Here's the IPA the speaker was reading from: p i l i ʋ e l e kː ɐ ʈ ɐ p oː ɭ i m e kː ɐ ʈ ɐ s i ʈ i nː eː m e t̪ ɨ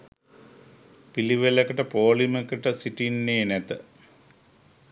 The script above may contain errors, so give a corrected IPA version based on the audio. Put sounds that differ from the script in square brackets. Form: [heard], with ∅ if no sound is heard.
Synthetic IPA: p i l i ʋ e l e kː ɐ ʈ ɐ p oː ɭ i m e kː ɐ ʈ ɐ s i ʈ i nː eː [n] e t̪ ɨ